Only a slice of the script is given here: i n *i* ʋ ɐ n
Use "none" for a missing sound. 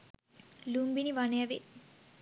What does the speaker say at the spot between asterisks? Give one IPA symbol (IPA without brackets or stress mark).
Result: i